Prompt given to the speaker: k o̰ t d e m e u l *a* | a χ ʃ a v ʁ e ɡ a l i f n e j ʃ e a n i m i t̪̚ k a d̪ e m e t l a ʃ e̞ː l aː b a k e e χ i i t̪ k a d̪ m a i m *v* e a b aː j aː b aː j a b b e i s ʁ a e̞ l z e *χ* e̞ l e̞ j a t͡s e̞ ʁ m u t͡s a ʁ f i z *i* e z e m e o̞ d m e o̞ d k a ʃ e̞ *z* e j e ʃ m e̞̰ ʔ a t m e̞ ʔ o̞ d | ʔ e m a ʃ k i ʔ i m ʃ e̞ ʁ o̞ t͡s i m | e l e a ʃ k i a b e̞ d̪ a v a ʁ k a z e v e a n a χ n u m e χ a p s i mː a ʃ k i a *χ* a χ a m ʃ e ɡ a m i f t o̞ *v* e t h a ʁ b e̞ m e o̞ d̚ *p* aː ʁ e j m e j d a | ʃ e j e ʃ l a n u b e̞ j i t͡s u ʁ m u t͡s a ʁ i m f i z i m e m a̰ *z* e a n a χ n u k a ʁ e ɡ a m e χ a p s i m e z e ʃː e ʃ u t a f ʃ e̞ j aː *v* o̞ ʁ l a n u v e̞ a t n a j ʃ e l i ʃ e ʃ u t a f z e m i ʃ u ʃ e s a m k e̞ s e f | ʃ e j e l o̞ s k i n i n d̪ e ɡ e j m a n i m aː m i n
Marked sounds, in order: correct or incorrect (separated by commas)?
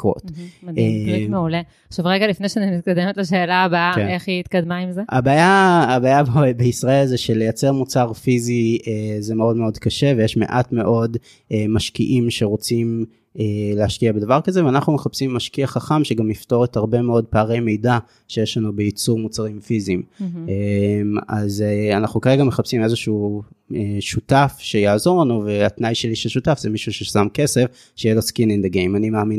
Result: incorrect, incorrect, incorrect, correct, incorrect, correct, incorrect, correct, correct, incorrect